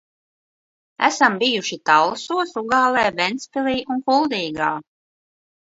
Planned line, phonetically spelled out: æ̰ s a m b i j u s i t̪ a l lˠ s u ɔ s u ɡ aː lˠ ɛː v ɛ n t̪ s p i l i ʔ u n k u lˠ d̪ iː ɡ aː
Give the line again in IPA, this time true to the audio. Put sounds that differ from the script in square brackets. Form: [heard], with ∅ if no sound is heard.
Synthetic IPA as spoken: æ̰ s a m b i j u [ʃ] i t̪ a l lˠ s u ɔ s u ɡ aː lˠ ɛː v ɛ n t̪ s p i l [iː] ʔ u n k u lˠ d̪ iː ɡ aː